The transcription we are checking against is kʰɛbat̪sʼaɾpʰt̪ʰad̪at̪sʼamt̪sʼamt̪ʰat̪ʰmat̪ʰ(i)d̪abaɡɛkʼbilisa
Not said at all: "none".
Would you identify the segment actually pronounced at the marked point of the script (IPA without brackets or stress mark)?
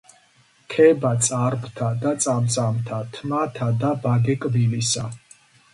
a